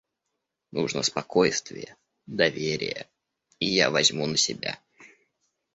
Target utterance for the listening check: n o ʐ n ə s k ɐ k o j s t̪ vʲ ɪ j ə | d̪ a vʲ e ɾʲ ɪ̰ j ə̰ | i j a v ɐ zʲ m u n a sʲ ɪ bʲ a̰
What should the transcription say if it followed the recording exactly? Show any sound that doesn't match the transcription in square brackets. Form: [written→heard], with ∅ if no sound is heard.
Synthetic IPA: n [o→u] ʐ n ə s [k→p] ɐ k o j s t̪ vʲ ɪ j ə | d̪ [a→ɐ] vʲ e ɾʲ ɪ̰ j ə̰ | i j a v ɐ zʲ m u n [a→ə] sʲ ɪ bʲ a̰